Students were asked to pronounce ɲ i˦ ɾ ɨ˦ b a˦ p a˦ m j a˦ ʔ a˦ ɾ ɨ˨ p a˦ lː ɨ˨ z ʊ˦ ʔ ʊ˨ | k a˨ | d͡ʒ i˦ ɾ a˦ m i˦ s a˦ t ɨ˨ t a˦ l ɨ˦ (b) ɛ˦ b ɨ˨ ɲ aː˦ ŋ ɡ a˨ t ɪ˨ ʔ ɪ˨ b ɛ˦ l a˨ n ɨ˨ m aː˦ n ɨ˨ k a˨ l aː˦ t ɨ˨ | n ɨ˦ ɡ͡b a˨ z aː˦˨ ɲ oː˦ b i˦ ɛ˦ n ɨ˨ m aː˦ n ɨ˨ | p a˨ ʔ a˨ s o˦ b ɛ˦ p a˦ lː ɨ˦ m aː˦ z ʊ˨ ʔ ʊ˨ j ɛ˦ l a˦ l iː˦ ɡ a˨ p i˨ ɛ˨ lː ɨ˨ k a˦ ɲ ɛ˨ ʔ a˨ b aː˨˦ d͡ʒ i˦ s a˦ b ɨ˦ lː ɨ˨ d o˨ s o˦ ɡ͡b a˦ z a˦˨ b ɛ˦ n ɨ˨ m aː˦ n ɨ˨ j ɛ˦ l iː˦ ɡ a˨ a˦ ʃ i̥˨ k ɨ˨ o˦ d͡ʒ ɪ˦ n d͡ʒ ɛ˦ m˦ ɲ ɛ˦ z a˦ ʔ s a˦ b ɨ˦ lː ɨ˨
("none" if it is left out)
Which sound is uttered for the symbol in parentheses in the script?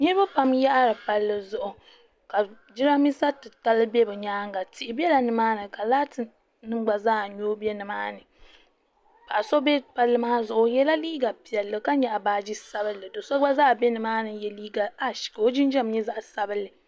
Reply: b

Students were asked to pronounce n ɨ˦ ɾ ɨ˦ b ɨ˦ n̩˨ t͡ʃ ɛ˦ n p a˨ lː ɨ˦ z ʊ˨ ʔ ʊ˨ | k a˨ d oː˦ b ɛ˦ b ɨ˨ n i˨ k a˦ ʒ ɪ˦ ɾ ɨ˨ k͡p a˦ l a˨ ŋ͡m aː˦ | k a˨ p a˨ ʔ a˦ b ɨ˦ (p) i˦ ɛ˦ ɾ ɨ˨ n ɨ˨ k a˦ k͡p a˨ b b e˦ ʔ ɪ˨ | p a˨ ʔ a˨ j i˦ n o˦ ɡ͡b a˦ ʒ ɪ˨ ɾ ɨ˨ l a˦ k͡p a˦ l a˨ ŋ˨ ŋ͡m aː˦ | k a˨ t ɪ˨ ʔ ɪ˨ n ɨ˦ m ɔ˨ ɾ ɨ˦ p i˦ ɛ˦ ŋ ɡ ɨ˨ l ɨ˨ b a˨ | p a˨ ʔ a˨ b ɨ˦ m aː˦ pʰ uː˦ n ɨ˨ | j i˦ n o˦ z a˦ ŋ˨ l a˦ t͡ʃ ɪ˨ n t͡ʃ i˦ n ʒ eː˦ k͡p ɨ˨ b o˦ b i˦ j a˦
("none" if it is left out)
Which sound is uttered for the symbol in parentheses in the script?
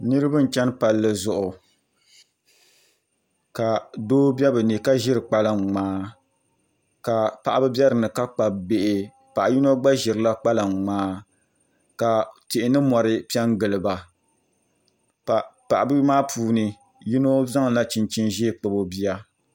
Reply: b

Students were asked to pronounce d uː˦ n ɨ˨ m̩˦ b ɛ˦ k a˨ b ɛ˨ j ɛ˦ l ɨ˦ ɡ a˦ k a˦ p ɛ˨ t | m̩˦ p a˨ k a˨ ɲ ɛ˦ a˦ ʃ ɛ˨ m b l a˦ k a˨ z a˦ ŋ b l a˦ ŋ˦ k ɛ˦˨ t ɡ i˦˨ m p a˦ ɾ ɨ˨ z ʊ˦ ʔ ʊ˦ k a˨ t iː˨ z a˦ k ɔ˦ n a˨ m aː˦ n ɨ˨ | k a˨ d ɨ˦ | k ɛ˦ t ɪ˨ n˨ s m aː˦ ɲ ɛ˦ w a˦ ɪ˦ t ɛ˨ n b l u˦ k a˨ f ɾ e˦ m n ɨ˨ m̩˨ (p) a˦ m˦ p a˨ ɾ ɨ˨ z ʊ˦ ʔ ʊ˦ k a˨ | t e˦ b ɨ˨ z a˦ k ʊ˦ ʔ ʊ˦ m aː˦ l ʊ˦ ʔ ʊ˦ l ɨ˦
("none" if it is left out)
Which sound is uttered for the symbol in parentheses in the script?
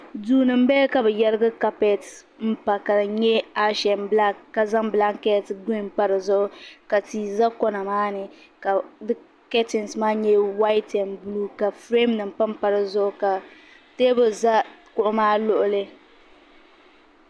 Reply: p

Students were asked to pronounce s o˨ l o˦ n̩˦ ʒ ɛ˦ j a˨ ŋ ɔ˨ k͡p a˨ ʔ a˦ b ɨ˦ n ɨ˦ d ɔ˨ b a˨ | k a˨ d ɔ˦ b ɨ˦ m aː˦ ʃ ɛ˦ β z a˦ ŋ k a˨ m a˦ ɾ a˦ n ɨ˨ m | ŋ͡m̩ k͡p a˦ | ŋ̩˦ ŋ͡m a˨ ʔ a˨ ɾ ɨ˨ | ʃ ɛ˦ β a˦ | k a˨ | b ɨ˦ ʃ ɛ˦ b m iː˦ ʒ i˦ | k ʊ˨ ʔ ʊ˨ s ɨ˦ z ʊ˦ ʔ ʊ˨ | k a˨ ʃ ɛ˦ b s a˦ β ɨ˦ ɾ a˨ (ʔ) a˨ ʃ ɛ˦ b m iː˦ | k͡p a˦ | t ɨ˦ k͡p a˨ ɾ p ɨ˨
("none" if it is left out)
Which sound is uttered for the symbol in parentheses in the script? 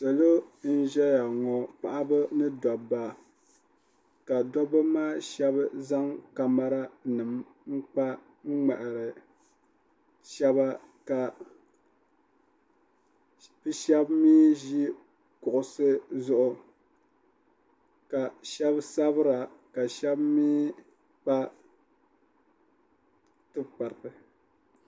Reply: k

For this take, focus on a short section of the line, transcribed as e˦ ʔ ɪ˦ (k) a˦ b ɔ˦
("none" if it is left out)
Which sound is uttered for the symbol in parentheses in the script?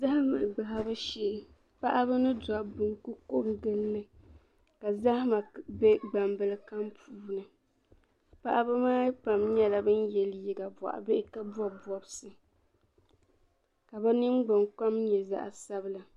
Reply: k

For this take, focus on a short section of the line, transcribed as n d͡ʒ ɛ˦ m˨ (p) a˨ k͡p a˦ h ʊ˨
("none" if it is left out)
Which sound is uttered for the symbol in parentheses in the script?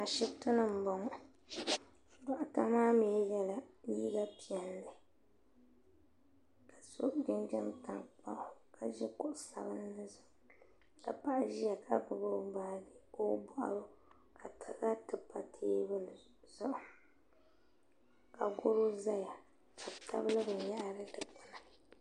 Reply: t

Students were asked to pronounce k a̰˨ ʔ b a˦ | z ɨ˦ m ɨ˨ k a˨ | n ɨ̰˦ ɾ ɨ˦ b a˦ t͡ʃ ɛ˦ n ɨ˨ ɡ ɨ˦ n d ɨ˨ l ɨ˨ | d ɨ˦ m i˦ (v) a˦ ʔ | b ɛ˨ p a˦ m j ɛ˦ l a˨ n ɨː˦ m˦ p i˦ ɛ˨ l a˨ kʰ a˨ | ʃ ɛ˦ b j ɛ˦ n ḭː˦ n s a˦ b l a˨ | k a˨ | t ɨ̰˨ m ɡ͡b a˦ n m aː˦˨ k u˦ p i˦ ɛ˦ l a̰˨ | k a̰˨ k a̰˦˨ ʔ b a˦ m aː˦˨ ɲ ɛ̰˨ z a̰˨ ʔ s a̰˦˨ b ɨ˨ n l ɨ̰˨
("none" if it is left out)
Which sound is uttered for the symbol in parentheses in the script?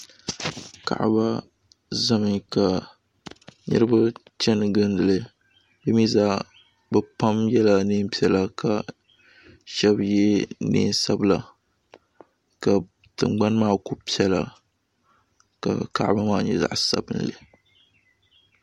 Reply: z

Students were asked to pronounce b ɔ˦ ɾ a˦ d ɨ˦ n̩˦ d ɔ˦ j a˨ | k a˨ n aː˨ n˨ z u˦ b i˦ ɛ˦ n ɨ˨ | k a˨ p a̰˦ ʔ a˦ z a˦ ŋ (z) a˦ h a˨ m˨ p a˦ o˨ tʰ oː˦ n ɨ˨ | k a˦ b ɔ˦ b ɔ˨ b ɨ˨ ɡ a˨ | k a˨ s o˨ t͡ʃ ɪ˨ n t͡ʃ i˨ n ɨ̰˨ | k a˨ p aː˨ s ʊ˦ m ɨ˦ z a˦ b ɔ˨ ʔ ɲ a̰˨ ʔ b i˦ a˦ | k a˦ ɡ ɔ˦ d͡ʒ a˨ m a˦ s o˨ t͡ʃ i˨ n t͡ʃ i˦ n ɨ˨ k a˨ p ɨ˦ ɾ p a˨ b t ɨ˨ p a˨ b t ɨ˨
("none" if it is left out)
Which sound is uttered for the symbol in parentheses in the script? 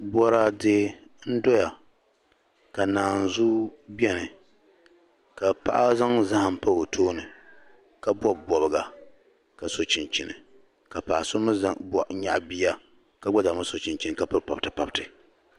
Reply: z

